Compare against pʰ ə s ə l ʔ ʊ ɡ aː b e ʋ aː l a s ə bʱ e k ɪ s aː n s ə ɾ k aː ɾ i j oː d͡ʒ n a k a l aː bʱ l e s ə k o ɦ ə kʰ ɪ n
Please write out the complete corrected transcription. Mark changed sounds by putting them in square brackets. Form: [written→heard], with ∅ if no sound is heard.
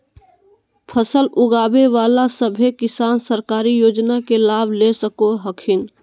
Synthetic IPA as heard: pʰ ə s ə l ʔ ʊ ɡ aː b e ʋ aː l a s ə bʱ e k ɪ s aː n s ə ɾ k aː ɾ i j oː d͡ʒ n a k [a→e] l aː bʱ l e s ə k o ɦ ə kʰ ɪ n